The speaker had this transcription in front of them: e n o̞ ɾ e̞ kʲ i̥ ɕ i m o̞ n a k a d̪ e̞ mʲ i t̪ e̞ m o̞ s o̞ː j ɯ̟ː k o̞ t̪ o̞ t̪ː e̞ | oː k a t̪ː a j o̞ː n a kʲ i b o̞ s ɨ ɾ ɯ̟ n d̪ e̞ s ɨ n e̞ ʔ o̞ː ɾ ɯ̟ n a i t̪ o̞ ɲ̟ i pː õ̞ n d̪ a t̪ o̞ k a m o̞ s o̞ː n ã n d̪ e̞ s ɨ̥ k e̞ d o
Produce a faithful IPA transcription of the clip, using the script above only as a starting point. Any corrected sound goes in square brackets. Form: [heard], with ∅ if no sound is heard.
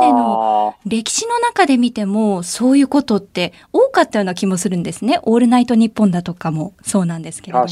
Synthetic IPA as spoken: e n o̞ ɾ e̞ kʲ i̥ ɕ i [n] o̞ n a k a d̪ e̞ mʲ i t̪ e̞ m o̞ s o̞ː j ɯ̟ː k o̞ t̪ o̞ t̪ː e̞ | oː k a t̪ː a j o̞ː n a kʲ i [m] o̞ s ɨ ɾ ɯ̟ n d̪ e̞ s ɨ n e̞ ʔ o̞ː ɾ ɯ̟ n a i t̪ o̞ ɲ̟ i pː õ̞ n d̪ a t̪ o̞ k a m o̞ s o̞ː n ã n d̪ e̞ s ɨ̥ k e̞ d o